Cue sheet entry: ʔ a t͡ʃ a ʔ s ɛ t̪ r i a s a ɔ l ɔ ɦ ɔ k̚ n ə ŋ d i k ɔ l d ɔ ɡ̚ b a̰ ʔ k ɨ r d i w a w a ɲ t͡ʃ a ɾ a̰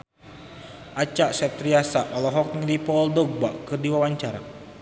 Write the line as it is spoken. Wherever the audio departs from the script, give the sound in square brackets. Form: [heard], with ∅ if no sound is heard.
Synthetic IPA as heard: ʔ a t͡ʃ a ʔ s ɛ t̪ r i a s a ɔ l ɔ ɦ ɔ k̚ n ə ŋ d i [p] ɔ l d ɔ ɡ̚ b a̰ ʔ k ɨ r d i w a w a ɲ t͡ʃ a ɾ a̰